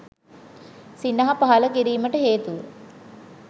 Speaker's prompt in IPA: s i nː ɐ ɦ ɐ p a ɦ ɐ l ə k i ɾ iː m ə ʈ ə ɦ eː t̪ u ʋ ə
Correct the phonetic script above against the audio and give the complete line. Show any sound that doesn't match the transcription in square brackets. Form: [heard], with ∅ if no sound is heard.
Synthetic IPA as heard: s i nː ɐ ɦ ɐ p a ɦ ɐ l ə k i ɾ iː m ə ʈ ə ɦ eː t̪ u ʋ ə